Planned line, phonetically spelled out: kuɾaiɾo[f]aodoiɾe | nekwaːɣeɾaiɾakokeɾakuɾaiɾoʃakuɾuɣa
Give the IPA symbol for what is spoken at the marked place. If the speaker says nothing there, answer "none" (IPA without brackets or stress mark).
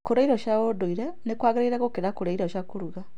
ʃ